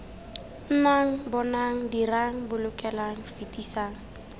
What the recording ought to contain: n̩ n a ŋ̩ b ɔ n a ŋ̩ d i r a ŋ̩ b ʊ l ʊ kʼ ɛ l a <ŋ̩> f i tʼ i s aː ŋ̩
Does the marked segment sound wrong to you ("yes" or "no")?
no